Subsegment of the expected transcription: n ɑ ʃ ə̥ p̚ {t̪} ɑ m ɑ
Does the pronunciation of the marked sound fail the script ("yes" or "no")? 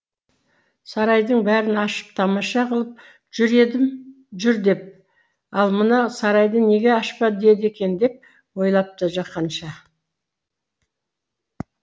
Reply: yes